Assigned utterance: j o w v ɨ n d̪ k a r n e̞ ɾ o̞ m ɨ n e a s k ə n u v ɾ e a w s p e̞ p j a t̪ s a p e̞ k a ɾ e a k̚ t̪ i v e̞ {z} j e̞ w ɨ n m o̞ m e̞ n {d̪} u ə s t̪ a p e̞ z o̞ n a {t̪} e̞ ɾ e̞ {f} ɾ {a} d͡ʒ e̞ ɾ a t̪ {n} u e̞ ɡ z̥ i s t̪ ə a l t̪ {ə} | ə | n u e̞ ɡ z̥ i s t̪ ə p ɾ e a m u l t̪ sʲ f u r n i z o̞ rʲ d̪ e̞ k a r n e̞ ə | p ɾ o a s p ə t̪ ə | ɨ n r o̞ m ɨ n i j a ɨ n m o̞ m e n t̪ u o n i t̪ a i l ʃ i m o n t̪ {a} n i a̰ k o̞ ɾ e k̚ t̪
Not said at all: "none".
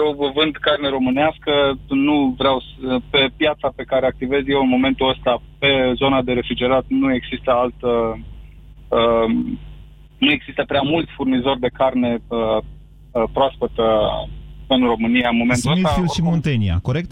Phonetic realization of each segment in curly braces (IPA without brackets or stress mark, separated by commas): z, t̪, d̪, f, i, n, ə, e